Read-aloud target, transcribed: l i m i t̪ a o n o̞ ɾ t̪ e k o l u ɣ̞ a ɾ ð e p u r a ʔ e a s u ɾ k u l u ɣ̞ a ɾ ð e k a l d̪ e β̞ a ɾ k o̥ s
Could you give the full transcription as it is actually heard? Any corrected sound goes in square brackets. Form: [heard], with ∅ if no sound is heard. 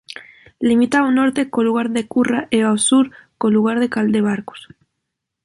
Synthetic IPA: l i m i t̪ a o n o̞ ɾ t̪ e k o l u ɣ̞ a ɾ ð e [k] u r a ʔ e a s u ɾ k [o] l u ɣ̞ a ɾ ð e k a l d̪ e β̞ a ɾ k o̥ s